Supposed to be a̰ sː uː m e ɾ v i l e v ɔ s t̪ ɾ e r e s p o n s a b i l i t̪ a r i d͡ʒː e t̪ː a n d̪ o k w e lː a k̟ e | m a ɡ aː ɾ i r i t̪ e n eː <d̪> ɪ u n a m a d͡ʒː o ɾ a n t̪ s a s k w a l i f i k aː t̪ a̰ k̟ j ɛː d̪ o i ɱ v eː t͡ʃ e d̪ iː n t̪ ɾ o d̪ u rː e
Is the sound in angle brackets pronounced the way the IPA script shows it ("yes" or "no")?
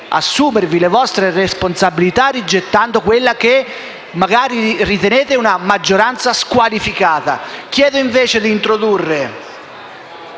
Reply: no